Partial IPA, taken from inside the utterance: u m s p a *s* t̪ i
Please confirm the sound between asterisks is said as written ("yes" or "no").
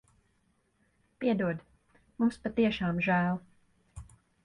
no